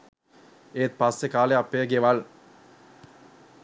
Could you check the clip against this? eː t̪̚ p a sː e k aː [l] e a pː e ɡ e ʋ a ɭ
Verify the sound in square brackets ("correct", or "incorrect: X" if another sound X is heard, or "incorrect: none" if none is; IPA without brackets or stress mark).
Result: correct